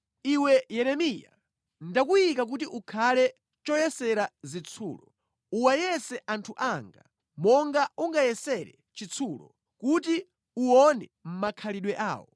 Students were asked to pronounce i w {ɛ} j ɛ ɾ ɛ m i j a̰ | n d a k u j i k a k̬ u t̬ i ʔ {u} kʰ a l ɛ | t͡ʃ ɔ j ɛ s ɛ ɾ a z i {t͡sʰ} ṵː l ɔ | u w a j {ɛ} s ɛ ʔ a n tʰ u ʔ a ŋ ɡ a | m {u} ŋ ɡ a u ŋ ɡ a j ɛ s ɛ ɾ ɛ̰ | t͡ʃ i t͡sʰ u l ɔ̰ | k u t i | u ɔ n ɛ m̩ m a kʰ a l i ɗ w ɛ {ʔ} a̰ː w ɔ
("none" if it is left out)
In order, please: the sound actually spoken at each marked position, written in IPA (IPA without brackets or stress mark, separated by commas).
ɛ, u, t͡sʰ, ɛ, ɔ, ʔ